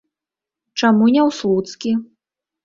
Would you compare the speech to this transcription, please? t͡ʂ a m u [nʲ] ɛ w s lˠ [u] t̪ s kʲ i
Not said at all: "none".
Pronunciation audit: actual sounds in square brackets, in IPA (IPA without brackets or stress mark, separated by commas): nʲ, u